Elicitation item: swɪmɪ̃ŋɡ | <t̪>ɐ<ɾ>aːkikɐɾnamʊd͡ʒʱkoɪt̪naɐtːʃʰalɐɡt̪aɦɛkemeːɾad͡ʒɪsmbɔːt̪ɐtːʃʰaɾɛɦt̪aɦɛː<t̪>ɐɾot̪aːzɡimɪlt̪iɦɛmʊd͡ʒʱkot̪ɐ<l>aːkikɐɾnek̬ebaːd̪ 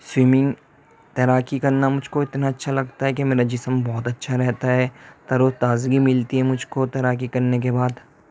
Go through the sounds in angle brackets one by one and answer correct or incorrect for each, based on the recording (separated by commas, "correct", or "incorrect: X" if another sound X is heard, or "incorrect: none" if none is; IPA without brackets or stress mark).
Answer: correct, correct, correct, incorrect: ɾ